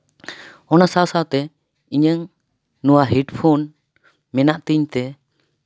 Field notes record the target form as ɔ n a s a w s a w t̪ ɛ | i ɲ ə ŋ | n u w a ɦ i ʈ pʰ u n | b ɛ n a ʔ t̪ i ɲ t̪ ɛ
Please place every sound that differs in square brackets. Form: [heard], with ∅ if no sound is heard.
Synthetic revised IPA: ɔ n a s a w s a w t̪ ɛ | i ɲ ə ŋ | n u w a ɦ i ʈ pʰ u n | [m] ɛ n a ʔ t̪ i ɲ t̪ ɛ